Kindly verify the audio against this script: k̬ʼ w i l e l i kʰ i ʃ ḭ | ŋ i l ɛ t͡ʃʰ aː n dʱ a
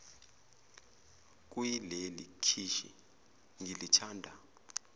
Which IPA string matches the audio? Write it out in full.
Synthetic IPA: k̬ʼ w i l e l i kʰ i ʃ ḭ | ŋ i l i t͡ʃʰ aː n dʱ a

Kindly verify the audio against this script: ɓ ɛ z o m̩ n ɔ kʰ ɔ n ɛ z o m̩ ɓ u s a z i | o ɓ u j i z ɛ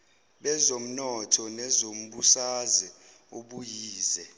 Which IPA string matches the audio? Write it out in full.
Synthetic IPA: ɓ ɛ z o m̩ n ɔ tʰ ɔ n ɛ z o m̩ ɓ u s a z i | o ɓ u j iː z ɛ

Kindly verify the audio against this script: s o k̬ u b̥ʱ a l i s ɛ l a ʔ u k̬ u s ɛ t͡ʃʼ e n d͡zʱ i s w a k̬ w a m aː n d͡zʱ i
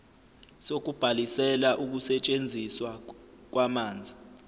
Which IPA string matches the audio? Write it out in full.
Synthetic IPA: s o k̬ u b̥ʱ a l i s ɛ l a ʔ u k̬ u s ɛ t͡ʃʼ e n d͡zʱ i s w a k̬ w a m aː n d͡zʱ i

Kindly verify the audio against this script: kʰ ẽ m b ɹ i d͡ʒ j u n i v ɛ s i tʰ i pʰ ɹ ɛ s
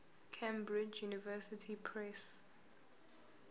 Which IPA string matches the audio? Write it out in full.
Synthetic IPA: kʰ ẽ m b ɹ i d͡ʒ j u n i v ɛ s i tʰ i pʰ ɹ ɛ s

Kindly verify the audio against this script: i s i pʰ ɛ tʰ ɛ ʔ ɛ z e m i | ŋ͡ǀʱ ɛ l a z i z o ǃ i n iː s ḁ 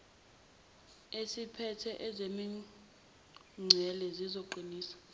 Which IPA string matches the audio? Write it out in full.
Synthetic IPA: e s i pʰ ɛ tʰ ɛ ʔ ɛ z e m i | ŋ͡ǀʱ ɛ l ɛ z i z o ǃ i n iː s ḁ

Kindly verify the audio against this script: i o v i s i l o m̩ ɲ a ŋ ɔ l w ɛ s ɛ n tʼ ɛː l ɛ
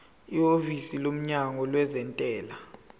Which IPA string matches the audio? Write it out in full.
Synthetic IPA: i o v i s i l o m̩ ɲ a ŋ ɔ l w ɛ z ɛ n tʼ ɛː l a

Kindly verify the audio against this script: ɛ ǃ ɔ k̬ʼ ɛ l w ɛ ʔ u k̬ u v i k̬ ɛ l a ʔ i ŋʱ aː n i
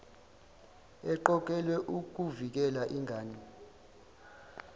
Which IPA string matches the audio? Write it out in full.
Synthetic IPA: ɛ ǃ ɔ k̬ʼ ɛ l w ɛ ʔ u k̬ u v i k̬ ɛ l a ʔ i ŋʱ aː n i

